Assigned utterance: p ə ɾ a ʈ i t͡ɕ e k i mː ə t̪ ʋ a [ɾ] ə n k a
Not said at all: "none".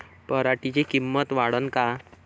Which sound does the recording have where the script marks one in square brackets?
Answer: ɽ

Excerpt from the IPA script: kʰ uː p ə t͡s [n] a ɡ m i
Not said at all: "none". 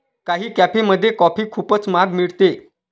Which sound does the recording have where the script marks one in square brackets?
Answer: m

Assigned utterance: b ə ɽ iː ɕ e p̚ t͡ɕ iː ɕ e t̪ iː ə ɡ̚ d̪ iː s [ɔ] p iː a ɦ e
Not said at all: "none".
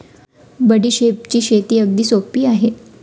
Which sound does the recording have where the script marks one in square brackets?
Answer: o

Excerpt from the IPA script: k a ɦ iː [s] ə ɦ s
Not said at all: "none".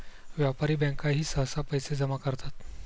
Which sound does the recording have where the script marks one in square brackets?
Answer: s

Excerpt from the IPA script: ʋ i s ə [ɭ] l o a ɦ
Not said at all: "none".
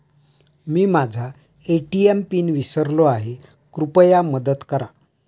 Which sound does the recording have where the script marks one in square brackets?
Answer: ɾ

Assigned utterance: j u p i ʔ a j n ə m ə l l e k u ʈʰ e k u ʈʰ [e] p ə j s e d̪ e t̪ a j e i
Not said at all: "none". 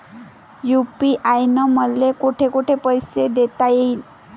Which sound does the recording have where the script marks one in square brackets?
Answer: e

